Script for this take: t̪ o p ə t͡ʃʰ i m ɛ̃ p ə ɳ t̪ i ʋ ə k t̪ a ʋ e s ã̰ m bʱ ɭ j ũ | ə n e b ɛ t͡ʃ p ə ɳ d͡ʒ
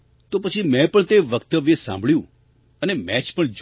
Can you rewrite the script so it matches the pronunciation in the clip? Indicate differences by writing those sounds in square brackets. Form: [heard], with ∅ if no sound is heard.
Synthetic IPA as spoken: t̪ o p ə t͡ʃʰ i m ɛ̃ p ə ɳ t̪ [e] ʋ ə k t̪ [ə] ʋ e s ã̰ m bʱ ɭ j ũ | ə n e [m] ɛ t͡ʃ p ə ɳ d͡ʒ